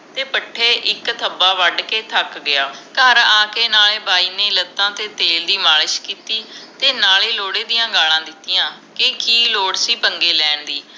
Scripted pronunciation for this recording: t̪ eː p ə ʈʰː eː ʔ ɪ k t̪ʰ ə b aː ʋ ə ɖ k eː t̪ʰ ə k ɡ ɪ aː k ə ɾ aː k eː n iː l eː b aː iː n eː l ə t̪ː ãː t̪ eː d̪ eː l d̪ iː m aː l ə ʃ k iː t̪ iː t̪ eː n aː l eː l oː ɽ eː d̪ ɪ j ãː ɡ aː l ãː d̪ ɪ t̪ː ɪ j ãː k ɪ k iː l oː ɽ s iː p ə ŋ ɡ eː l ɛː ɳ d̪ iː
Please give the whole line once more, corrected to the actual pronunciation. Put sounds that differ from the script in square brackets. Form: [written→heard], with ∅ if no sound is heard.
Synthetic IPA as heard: t̪ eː p ə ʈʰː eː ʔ ɪ k t̪ʰ ə b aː ʋ ə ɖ k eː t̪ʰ ə k ɡ ɪ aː k ə ɾ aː k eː n [iː→aː] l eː b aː iː n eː l ə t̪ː ãː t̪ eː [d̪→t̪] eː l d̪ iː m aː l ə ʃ k iː t̪ iː t̪ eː n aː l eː l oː ɽ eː d̪ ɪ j ãː ɡ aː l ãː d̪ ɪ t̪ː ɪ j ãː k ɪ k iː l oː ɽ s iː p ə ŋ ɡ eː l ɛː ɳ d̪ iː